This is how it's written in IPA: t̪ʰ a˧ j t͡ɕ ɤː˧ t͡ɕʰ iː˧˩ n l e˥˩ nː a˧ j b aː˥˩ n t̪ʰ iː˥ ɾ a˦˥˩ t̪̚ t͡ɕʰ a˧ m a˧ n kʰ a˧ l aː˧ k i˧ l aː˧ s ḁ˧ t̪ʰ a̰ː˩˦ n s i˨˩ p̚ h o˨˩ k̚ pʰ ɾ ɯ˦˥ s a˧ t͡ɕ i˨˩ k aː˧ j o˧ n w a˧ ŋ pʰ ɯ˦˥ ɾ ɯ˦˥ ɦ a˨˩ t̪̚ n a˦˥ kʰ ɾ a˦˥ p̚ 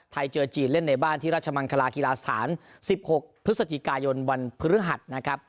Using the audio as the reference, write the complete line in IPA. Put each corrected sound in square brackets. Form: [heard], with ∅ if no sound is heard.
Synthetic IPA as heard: t̪ʰ a˧ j t͡ɕ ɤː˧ [t͡ɕ] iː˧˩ n l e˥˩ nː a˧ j b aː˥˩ n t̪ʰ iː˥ ɾ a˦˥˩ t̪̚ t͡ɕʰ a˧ m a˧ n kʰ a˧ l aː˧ k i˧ l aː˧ s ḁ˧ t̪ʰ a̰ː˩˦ n s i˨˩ p̚ h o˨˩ k̚ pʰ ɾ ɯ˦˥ s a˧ t͡ɕ i˨˩ k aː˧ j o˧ n w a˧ [n] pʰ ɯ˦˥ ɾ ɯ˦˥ ɦ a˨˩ t̪̚ n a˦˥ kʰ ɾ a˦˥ p̚